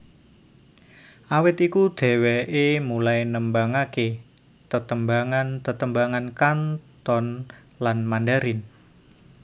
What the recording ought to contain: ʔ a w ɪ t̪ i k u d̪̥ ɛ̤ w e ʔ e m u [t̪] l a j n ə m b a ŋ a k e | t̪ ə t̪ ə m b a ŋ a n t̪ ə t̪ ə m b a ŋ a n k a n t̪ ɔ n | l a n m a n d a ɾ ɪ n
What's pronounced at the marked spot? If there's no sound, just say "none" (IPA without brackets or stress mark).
none